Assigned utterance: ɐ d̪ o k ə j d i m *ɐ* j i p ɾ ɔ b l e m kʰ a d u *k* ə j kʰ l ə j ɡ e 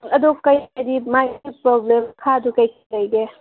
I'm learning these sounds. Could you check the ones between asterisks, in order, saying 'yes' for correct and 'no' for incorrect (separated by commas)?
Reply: no, yes